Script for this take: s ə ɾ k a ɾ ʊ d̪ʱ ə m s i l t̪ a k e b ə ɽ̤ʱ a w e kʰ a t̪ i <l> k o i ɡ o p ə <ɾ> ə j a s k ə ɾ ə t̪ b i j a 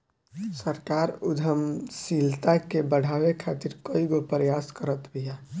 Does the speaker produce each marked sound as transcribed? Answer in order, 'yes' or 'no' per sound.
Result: no, yes

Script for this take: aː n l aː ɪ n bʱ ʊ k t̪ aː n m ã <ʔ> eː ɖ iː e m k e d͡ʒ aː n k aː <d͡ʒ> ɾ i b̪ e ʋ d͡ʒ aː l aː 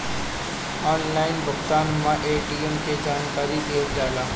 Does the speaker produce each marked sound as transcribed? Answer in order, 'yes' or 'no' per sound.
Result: yes, no

